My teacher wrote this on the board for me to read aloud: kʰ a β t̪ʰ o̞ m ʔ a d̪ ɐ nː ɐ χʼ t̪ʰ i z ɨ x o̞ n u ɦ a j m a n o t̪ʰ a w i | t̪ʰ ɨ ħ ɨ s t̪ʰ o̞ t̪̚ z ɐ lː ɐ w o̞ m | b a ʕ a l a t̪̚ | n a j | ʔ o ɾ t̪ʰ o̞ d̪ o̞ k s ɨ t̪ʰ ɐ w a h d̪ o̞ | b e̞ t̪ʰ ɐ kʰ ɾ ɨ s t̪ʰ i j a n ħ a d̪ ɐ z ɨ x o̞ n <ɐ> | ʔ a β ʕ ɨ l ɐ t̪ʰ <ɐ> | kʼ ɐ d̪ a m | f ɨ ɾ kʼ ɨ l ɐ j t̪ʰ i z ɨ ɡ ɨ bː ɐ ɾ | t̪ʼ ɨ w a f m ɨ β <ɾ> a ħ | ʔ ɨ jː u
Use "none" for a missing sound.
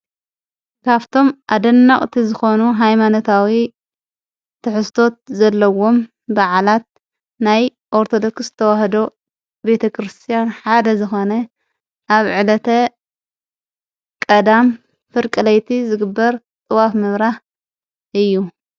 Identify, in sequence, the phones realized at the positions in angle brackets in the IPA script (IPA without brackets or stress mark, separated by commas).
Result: ɐ, ɐ, ɾ